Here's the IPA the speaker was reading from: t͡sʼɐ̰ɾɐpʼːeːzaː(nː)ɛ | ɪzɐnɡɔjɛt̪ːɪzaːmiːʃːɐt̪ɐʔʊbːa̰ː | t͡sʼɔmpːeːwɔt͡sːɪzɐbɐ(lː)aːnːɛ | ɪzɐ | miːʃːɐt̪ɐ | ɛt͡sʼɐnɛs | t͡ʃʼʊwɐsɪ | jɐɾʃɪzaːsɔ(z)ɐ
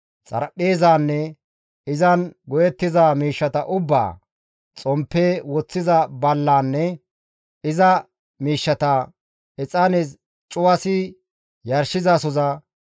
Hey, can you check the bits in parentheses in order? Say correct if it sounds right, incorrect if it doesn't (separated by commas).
correct, correct, correct